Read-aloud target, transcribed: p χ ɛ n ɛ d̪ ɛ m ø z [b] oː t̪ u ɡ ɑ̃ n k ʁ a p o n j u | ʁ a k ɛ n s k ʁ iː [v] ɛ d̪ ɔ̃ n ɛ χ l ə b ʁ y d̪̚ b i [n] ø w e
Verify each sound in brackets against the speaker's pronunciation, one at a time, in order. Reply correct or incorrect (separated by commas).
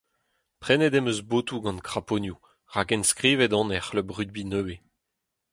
correct, correct, correct